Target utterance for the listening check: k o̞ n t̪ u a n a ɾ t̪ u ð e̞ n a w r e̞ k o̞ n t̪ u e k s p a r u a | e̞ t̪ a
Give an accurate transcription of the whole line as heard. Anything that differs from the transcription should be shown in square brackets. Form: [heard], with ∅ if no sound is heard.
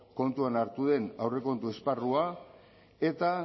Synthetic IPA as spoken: k o̞ n t̪ u a n a ɾ t̪ u ð e̞ n a w r e̞ k o̞ n t̪ u e [∅] s p a r u a | e̞ t̪ a